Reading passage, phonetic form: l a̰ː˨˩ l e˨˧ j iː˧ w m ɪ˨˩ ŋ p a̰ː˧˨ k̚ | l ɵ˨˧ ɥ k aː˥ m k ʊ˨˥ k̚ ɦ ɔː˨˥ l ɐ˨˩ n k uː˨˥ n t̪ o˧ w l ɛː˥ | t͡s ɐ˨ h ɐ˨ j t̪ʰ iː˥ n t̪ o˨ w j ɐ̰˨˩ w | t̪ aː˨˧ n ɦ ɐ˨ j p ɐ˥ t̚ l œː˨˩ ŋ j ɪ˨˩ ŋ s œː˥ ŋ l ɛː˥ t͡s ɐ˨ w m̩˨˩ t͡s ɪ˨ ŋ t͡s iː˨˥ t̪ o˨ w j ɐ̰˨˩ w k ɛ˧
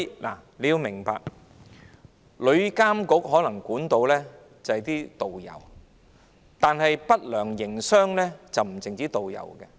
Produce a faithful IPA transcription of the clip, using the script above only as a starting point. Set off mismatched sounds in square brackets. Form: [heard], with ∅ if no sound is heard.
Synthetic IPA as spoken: l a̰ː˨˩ l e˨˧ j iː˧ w m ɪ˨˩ ŋ p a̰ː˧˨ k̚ | l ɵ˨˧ ɥ k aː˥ m k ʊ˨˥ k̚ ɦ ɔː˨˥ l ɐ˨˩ [ŋ] k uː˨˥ n t̪ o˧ w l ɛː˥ | t͡s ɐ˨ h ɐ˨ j [t̪] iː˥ [∅] t̪ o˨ w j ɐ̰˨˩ w | t̪ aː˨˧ n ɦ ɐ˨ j p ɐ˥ t̚ l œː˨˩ ŋ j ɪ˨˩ ŋ s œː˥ ŋ l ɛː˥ t͡s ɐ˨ w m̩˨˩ t͡s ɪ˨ ŋ t͡s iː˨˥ t̪ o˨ w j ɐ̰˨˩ w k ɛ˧